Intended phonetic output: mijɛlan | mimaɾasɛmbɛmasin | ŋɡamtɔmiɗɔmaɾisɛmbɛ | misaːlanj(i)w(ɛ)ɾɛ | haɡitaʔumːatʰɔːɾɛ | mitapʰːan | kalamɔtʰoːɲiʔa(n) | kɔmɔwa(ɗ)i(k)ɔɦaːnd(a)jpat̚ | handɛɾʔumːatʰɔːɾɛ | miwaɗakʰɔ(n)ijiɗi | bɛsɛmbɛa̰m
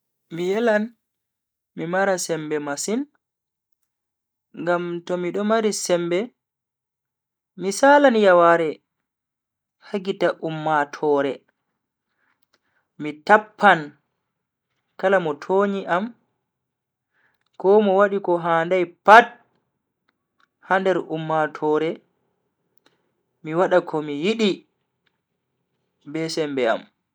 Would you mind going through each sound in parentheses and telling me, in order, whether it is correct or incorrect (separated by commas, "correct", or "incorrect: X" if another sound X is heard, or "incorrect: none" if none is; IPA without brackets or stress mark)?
incorrect: a, incorrect: a, incorrect: m, correct, correct, correct, incorrect: m